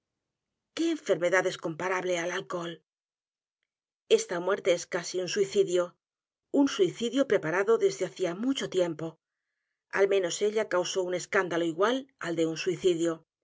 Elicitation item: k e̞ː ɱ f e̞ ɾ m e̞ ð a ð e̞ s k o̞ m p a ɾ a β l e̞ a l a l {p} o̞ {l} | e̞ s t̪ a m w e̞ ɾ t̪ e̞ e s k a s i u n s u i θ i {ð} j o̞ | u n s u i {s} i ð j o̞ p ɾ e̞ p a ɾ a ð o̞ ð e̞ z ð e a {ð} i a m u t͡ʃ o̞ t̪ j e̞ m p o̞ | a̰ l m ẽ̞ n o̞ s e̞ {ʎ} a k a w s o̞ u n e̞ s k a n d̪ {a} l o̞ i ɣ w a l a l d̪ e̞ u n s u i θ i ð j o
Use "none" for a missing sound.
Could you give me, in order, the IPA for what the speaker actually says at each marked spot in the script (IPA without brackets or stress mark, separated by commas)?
k, l, ð, θ, θ, ʎ, a